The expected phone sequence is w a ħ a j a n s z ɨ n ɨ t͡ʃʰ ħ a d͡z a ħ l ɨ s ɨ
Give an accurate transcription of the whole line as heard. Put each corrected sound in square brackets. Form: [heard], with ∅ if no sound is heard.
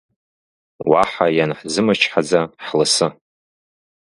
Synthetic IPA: w a ħ a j a n [ħ] z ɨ [m] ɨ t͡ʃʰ ħ a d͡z a ħ l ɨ s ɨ